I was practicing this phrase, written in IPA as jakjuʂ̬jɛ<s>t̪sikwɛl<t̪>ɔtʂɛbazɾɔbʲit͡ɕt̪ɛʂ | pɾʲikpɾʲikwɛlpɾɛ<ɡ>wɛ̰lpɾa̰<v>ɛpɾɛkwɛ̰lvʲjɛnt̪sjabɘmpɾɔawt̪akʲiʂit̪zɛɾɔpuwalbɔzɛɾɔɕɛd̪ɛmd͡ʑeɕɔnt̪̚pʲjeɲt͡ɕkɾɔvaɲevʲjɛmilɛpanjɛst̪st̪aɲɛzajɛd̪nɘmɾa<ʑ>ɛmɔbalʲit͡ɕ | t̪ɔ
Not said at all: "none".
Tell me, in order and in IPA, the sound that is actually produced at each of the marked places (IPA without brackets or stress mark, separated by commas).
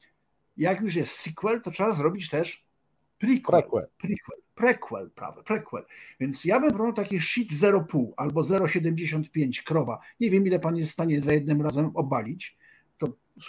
s, t̪, k, v, z